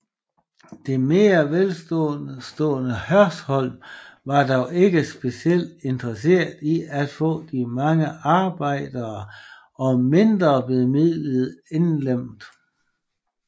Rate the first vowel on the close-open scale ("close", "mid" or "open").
mid